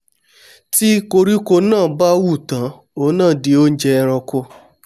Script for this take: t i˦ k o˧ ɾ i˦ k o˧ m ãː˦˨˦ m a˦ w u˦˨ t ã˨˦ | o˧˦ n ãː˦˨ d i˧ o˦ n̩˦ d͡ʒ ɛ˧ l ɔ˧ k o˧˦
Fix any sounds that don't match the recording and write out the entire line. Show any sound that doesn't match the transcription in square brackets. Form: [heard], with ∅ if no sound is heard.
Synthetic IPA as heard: t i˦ k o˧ ɾ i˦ k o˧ [n] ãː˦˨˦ [b] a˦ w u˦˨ t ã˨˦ | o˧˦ n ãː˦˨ d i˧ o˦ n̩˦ d͡ʒ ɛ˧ [ɾ] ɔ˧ k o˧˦